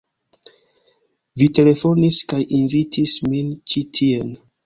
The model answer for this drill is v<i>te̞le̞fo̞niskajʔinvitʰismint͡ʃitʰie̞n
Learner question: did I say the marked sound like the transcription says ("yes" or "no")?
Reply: yes